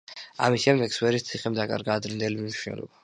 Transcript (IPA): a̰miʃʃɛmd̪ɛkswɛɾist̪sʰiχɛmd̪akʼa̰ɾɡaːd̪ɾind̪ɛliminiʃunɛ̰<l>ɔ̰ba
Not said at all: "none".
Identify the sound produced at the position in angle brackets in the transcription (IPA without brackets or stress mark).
l